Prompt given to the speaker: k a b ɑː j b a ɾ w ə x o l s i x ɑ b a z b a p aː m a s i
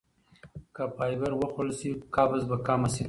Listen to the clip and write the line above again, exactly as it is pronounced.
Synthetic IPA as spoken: k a p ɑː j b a ɾ w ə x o l s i k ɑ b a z b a k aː m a s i